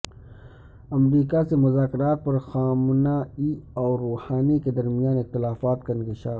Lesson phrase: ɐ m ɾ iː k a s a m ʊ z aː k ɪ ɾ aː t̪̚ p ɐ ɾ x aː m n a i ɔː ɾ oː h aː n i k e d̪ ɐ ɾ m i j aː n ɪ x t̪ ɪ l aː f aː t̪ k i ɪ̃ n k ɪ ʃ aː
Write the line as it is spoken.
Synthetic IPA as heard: ɐ m ɾ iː k a s e m ʊ z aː k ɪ ɾ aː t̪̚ p ɐ ɾ x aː m n a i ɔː ɾ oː h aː n i k e d̪ ɐ ɾ m i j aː n ɪ x t̪ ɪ l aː f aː t̪ k a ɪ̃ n k ɪ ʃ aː